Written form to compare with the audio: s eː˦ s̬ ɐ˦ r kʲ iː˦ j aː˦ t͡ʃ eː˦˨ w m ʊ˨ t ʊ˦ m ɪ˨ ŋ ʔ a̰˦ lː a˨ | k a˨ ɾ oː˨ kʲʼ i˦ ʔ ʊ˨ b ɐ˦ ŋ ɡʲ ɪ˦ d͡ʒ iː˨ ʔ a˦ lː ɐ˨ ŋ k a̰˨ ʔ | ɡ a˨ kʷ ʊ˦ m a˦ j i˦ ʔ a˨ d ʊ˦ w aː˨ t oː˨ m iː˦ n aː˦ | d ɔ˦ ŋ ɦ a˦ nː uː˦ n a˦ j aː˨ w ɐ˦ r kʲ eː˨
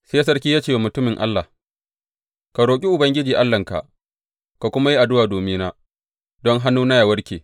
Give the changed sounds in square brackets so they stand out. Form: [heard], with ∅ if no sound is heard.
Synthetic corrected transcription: s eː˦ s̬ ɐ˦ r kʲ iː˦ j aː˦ t͡ʃ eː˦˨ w m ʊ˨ t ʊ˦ m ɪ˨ ŋ ʔ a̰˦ lː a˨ | k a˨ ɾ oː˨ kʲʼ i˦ ʔ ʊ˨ b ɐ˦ ŋ ɡʲ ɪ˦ d͡ʒ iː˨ ʔ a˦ lː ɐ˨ ŋ k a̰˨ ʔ | [k] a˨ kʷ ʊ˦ m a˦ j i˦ ʔ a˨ d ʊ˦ w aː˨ [d] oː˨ m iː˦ n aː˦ | d ɔ˦ ŋ ɦ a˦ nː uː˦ n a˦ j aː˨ w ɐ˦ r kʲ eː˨

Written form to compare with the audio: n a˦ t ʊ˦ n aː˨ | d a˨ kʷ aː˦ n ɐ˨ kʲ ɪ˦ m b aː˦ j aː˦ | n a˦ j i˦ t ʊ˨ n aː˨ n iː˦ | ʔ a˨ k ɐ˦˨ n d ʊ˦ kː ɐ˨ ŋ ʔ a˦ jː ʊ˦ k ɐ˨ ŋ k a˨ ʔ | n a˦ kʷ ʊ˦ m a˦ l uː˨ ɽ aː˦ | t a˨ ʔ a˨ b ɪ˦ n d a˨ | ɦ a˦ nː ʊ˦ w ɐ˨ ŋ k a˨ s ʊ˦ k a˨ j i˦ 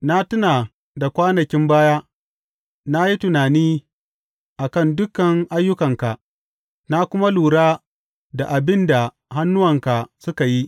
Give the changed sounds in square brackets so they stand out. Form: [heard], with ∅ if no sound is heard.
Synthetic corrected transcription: n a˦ t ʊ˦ n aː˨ | d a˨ kʷ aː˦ n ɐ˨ kʲ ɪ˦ m b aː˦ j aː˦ | n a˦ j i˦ t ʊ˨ n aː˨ n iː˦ | ʔ a˨ k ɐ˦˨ n d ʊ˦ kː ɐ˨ ŋ ʔ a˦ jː ʊ˦ k ɐ˨ ŋ k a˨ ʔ | n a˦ kʷ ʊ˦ m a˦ l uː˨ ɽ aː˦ | [d] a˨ ʔ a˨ b ɪ˦ n d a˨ | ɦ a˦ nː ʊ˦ w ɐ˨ ŋ k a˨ s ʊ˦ k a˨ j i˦

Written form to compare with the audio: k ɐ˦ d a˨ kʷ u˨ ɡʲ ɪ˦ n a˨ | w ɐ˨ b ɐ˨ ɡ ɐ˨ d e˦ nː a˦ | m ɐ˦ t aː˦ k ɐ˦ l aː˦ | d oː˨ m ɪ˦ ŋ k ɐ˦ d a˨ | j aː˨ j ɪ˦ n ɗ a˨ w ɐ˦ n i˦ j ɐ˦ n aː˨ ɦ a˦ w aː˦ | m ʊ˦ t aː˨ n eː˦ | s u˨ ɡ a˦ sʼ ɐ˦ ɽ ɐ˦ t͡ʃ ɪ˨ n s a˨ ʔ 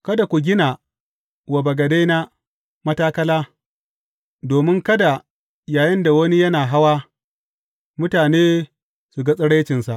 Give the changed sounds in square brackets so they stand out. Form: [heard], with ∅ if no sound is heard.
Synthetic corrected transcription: k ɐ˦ d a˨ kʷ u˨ ɡʲ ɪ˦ n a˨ | w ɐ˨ b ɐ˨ ɡ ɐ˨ d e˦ [n] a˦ | m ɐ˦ t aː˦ k ɐ˦ l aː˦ | d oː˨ m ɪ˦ ŋ k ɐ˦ d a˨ | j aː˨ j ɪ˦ n [d] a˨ w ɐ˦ n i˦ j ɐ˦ n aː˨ ɦ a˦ w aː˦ | m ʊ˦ t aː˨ n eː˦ | s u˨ ɡ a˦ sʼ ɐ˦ ɽ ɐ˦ t͡ʃ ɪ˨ n s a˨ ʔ

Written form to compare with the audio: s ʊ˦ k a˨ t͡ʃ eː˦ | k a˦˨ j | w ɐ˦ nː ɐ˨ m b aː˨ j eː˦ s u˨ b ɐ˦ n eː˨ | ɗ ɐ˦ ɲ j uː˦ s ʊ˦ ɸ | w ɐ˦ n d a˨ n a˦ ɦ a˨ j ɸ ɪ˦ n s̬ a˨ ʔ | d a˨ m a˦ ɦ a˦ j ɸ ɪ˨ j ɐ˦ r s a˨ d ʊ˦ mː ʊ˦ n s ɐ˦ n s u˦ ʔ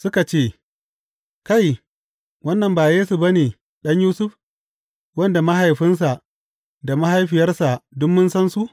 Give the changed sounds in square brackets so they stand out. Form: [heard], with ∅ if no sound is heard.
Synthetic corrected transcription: s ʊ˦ k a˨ t͡ʃ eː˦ | k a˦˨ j | w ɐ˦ nː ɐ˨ m b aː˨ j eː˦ s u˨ b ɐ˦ n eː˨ | ɗ ɐ˦ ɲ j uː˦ s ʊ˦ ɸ | w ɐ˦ n d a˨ [m] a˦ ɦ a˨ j ɸ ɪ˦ n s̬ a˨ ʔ | d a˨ m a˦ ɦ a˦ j ɸ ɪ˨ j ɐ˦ r s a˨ d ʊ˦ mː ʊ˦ n s ɐ˦ n s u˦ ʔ

